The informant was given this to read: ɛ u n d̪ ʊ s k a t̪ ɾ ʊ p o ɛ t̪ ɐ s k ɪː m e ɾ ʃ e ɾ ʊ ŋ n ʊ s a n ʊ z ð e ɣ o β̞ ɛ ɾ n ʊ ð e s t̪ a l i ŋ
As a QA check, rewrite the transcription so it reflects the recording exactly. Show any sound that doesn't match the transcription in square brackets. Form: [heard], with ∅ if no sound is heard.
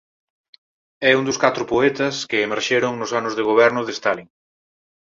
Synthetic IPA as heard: ɛ u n d̪ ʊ s k a t̪ ɾ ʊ p o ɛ t̪ ɐ s k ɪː m e ɾ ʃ e ɾ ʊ ŋ n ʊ s a n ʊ z ð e ɣ o β̞ ɛ ɾ n ʊ ð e s t̪ a l i ŋ